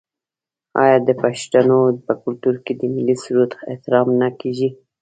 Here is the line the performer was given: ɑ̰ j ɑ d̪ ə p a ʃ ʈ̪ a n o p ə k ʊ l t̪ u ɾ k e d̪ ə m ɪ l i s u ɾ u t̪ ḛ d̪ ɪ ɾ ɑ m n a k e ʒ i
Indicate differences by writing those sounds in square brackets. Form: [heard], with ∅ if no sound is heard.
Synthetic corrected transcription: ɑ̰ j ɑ d̪ ə p a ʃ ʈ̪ a n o p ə k ʊ l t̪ u ɾ k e d̪ ə m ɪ l i s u ɾ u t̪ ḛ [t̪] ɪ ɾ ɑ m n a k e ʒ i